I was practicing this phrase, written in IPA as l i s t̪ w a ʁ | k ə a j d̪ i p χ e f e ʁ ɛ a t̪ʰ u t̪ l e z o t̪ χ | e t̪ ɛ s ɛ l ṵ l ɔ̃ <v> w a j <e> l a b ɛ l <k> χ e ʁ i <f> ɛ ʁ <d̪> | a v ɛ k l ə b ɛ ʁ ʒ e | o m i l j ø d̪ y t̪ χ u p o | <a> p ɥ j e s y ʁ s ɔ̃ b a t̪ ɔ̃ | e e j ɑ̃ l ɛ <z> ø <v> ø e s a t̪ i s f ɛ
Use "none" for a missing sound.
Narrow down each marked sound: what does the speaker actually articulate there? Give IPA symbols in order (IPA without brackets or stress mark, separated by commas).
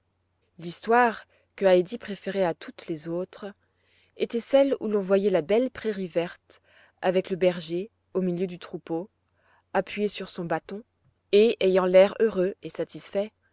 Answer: v, ɛ, p, v, t̪, a, ʁ, ʁ